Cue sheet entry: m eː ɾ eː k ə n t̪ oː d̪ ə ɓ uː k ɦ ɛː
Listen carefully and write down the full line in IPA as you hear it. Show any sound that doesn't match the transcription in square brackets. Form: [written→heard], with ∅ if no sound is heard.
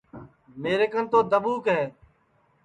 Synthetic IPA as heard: m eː ɾ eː k ə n t̪ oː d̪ ə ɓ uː k ɦ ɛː